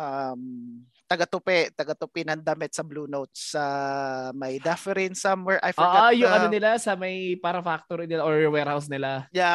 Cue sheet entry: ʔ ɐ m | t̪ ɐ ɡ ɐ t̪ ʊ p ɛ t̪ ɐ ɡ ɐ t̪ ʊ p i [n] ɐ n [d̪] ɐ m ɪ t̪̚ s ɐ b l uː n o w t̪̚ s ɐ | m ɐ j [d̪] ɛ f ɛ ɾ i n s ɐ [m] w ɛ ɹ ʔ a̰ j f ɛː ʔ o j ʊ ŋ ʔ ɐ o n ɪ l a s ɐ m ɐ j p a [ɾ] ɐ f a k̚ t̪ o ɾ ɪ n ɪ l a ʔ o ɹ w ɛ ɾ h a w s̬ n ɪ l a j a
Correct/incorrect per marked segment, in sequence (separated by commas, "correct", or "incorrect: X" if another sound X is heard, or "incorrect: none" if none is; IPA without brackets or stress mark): correct, correct, correct, correct, correct